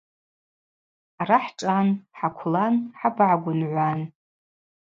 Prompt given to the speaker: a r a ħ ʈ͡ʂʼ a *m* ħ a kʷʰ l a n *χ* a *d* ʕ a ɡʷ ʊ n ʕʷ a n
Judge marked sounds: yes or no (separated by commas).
no, no, no